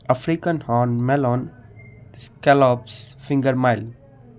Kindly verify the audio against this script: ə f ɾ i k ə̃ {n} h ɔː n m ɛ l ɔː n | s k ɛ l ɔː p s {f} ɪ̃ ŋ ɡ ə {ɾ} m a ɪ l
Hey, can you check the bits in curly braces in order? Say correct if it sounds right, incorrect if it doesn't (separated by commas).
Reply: correct, correct, correct